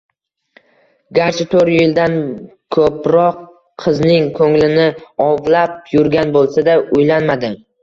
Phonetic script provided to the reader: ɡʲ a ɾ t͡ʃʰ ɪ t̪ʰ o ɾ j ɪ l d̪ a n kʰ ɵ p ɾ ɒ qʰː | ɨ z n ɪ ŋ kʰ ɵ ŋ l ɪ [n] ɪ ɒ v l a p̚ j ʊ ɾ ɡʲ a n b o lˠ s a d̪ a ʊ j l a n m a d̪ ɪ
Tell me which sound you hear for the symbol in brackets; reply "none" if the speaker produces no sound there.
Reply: n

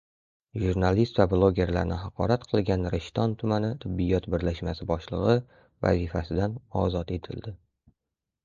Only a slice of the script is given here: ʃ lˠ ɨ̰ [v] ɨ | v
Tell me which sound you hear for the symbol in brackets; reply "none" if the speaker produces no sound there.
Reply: ʁ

